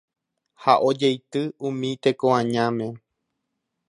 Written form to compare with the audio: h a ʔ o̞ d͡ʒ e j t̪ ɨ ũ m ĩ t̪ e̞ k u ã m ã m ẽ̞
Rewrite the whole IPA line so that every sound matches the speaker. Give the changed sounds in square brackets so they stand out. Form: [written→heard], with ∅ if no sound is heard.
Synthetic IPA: h a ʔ o̞ d͡ʒ e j t̪ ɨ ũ m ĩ t̪ e̞ k [u→o] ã [m→ɲ] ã m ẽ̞